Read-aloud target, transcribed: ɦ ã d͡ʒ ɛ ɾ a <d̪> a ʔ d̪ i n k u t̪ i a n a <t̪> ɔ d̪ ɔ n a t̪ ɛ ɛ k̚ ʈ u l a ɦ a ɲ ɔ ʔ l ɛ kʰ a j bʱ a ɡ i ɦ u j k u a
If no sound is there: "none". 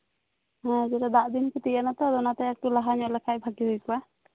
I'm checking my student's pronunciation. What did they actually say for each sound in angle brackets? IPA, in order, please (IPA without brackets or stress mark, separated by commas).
d̪, t̪